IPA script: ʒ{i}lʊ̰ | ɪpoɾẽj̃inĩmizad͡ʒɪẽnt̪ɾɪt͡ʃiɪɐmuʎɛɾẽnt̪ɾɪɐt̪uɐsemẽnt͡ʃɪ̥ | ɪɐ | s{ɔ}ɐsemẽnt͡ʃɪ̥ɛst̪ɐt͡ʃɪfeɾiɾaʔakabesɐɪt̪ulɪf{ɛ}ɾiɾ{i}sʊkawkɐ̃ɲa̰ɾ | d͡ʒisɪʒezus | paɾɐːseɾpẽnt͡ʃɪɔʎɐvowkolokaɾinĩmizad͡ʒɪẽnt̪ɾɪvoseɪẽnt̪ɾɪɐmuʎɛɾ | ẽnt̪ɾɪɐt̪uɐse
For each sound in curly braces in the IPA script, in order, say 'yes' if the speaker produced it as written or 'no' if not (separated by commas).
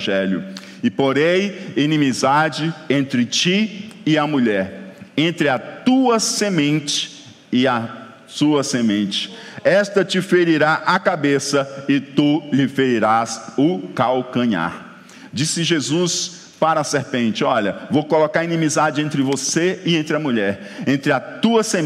no, no, no, no